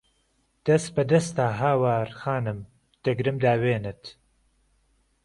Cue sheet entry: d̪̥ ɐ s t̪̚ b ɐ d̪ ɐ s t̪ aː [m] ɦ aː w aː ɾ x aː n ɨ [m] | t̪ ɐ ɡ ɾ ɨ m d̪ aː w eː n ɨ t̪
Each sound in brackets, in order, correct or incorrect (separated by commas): incorrect, correct